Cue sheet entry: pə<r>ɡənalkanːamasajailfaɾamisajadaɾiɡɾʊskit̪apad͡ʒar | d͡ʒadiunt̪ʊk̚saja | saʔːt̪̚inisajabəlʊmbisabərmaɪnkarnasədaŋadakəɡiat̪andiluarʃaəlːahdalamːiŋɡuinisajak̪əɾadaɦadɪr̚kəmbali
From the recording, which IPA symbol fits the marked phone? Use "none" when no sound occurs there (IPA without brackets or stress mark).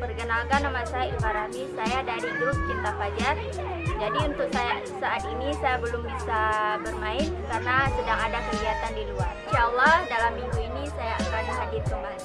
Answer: r